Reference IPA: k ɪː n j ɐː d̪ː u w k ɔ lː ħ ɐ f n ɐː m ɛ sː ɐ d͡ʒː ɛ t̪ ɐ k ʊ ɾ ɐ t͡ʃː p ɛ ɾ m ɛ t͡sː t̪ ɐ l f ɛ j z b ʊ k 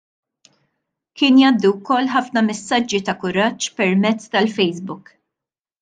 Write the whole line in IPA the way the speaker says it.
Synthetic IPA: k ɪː n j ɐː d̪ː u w k ɔ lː ħ ɐ f n ɐ m ɛ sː ɐ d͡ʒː i t̪ ɐ k ʊ ɾ ɐ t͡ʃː p ɛ ɾ m ɛ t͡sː t̪ ɐ l f ɛ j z b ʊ k